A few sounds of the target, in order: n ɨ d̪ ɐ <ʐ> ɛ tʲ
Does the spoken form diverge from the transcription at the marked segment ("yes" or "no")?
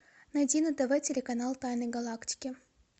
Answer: yes